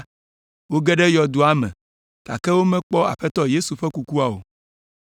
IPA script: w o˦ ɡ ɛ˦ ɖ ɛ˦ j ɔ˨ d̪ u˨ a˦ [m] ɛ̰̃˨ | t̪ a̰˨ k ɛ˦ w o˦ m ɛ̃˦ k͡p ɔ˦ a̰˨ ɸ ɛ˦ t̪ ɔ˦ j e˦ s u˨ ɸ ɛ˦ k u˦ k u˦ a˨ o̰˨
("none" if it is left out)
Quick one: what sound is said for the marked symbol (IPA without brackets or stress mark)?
m